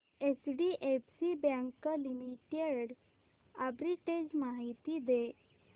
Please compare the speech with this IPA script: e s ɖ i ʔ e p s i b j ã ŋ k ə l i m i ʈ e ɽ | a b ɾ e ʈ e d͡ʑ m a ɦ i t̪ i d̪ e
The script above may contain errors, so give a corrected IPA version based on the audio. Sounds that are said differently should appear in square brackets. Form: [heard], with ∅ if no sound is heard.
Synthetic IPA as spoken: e s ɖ i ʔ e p s i b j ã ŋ k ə l i m i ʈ e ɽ | a b ɾ [i] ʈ e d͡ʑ m a ɦ i t̪ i d̪ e